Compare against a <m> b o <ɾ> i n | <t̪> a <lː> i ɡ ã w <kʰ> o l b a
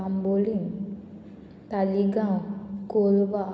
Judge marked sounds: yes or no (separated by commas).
yes, no, yes, no, no